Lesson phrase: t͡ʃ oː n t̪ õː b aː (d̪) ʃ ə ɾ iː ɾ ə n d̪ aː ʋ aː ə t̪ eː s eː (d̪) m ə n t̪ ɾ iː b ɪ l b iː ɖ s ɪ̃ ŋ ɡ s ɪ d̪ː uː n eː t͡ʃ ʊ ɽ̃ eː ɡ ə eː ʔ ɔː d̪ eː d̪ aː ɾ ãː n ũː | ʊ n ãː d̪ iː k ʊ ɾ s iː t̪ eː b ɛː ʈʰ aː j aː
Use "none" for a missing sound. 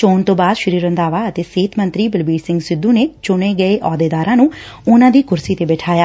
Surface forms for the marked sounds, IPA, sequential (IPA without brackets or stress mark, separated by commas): d̪, t̪